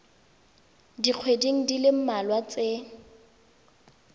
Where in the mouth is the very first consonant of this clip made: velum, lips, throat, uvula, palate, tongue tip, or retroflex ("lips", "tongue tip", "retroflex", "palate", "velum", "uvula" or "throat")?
tongue tip